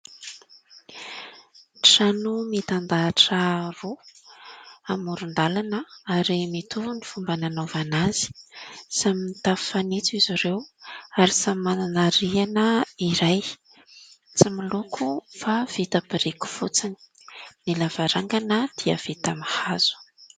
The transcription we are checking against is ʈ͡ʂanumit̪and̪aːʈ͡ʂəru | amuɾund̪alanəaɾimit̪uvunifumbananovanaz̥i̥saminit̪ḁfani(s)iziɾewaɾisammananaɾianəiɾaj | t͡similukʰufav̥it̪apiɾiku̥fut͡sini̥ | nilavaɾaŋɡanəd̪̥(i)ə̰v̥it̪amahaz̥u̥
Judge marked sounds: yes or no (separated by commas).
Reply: no, yes